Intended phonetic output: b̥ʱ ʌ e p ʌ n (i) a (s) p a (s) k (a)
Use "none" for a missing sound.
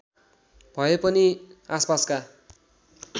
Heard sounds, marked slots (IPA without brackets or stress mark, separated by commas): i, s, s, a